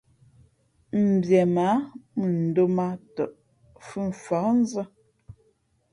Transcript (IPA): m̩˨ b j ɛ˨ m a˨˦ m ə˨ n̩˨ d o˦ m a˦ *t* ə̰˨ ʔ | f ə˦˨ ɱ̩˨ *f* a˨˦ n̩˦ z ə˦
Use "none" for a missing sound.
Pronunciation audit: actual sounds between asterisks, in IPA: t, f

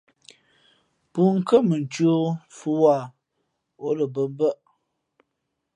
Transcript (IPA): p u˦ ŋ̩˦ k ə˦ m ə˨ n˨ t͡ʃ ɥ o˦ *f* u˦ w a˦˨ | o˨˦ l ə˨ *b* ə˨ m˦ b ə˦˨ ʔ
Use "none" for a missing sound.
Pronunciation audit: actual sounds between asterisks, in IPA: f, b

